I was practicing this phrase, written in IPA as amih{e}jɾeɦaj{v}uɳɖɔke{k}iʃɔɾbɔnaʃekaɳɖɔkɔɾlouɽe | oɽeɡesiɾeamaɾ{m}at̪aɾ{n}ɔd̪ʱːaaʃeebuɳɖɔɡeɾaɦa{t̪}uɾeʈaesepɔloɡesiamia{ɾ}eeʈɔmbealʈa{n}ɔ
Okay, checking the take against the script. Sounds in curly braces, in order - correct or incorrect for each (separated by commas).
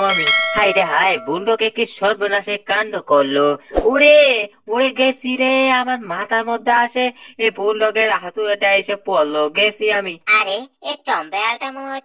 incorrect, incorrect, correct, correct, incorrect, correct, correct, incorrect